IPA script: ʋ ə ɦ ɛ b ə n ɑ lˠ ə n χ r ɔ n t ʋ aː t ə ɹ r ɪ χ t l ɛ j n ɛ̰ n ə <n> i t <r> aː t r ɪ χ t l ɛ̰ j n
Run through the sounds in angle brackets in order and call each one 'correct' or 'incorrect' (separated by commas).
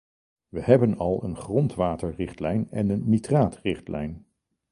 incorrect, correct